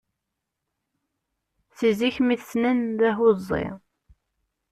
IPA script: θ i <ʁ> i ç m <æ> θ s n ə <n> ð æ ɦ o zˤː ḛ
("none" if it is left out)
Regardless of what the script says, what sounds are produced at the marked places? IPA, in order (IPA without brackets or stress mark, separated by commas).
z, i, n